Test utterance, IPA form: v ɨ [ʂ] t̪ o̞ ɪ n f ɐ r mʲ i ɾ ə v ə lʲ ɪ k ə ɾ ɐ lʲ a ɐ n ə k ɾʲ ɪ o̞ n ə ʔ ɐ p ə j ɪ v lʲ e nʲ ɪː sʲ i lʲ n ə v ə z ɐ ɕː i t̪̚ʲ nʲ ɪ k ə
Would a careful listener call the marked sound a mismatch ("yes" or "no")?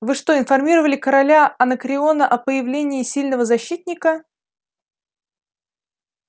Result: no